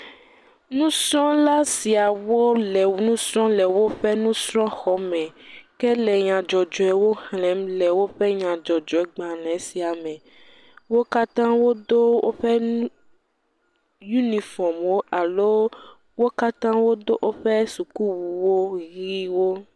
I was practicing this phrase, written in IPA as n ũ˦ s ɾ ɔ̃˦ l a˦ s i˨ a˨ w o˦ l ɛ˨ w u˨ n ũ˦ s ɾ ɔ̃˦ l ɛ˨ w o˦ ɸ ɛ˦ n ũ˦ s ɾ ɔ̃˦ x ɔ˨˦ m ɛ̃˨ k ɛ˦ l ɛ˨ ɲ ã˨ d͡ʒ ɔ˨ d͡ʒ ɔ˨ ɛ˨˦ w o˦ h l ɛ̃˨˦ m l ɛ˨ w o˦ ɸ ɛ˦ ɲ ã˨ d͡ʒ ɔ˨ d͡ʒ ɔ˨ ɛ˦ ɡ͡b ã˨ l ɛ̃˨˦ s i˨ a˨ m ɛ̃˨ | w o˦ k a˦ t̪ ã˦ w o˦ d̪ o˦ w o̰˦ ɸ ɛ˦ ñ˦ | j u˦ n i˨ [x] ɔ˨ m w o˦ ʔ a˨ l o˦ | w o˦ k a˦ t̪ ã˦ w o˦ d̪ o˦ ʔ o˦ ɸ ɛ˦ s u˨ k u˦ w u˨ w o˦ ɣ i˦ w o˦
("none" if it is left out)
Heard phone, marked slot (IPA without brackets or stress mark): f